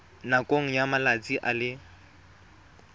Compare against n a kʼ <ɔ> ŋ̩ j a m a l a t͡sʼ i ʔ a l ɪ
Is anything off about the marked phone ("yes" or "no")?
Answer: yes